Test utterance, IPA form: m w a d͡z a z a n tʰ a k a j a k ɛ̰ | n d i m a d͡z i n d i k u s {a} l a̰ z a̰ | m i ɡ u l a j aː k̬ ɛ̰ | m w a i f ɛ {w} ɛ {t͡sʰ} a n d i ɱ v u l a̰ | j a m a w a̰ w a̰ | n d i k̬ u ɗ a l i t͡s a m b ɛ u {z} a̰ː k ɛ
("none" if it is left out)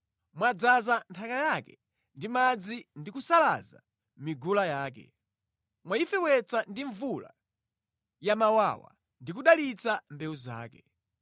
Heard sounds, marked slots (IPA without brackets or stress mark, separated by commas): a, w, t͡s, z